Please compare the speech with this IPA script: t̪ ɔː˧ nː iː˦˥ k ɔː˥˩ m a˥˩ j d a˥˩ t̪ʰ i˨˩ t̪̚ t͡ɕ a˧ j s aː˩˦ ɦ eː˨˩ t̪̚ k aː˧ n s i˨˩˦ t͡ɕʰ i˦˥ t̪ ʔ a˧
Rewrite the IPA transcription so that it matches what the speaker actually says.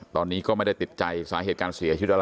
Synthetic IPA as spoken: t̪ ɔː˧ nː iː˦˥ k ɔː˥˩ m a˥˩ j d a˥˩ t̪ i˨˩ t̪̚ t͡ɕ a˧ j s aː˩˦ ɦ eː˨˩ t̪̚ k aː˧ n s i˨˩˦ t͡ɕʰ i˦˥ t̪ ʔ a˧